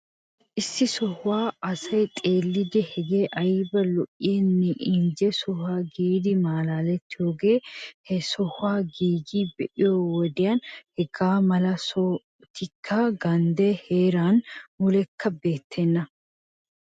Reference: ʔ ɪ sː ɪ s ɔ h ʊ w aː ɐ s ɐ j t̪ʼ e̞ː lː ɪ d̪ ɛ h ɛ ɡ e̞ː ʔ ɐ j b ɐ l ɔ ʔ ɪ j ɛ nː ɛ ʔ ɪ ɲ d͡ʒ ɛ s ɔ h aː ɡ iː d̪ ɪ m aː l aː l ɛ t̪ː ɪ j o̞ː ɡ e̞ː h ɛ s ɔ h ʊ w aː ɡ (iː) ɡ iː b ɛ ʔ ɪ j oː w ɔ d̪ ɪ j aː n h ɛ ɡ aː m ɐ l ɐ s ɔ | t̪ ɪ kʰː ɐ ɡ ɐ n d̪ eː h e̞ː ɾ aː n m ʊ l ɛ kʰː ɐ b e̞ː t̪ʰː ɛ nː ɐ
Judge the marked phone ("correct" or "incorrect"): correct